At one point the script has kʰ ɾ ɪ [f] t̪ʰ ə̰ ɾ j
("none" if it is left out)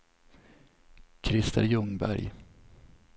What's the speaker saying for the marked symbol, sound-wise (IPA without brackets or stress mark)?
s